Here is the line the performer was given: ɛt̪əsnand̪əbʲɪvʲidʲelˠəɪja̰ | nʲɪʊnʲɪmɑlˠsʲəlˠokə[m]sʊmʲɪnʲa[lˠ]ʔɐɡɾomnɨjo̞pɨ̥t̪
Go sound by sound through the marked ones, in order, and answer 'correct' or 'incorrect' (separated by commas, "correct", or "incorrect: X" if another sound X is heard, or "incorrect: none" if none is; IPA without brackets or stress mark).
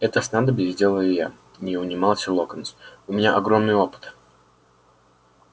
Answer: incorrect: n, incorrect: none